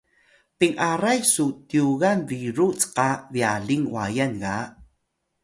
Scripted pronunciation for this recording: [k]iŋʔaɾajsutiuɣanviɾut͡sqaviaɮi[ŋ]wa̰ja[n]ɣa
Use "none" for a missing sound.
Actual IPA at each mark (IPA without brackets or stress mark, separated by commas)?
p, ŋ, n